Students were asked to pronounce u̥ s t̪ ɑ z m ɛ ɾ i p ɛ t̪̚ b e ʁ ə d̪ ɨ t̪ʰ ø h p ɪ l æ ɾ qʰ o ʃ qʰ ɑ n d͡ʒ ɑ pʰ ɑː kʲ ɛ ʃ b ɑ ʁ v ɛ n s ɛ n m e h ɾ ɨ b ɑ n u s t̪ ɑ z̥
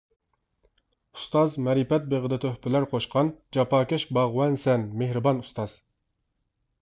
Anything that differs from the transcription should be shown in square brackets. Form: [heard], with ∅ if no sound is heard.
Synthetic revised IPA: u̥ s t̪ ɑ z m ɛ ɾ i p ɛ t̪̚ b e ʁ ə d̪ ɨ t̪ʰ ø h p ɪ l æ ɾ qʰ o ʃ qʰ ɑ n d͡ʒ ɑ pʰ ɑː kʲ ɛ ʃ b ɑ ʁ [w] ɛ n s ɛ n m e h ɾ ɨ b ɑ n u s t̪ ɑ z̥